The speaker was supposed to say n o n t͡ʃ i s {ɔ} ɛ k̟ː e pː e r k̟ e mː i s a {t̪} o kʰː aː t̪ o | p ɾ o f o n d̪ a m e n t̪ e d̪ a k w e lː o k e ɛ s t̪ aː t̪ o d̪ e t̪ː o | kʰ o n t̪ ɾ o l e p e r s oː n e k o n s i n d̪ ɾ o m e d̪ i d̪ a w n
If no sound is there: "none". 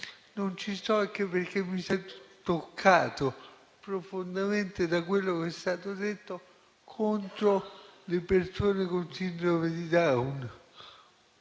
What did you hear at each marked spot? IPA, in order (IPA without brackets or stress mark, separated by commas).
ɔ, t̪